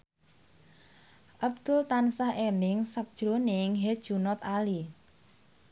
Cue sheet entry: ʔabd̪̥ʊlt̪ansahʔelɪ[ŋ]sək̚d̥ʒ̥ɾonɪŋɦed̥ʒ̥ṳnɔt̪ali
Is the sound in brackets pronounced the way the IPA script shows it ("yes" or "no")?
yes